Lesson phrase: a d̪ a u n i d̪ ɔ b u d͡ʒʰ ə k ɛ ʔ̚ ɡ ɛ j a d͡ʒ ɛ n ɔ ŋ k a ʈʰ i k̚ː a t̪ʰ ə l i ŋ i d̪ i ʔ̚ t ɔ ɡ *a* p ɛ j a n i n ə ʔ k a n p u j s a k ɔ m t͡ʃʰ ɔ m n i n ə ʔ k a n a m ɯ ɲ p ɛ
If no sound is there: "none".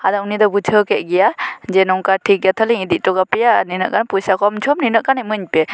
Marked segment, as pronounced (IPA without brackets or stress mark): a